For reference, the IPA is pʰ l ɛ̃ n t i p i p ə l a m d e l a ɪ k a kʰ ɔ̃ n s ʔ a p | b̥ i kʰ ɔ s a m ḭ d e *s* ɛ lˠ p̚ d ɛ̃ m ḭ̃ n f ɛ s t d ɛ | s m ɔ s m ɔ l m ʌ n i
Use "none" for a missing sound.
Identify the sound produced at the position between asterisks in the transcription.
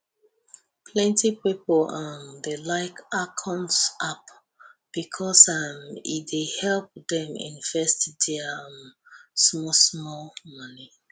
h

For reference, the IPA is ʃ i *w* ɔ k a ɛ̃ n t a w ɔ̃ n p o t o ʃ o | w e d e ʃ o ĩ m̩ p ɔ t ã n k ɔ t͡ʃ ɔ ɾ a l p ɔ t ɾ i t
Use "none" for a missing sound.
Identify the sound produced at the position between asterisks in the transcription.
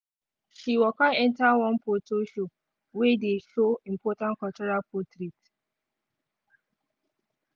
w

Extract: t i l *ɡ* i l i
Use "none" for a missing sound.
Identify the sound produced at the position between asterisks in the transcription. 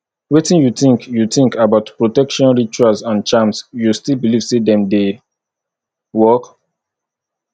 b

